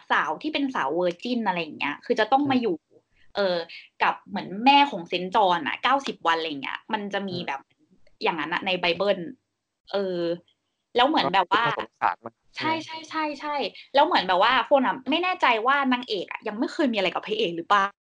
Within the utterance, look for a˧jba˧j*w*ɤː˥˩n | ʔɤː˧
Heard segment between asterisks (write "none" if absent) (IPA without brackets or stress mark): b